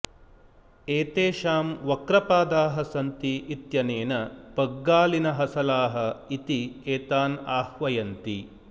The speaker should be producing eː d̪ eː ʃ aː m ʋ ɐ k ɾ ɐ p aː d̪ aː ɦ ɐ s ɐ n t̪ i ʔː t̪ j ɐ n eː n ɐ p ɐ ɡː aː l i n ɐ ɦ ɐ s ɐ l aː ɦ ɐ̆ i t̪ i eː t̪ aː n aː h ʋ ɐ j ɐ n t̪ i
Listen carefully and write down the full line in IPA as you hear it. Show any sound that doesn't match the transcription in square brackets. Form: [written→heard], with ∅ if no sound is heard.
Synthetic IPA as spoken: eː [d̪→t̪] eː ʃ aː m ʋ ɐ k ɾ ɐ p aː d̪ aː ɦ ɐ s ɐ n t̪ i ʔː t̪ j ɐ n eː n ɐ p ɐ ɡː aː l i n ɐ ɦ ɐ s ɐ l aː ɦ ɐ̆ i t̪ i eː t̪ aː n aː h ʋ ɐ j ɐ n t̪ i